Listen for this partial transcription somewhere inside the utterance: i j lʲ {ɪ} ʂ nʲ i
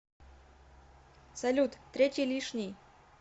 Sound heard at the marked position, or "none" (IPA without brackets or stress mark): i